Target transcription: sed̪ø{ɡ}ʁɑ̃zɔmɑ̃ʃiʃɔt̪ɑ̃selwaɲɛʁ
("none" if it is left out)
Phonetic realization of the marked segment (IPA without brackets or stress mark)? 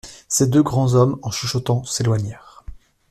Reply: ɡ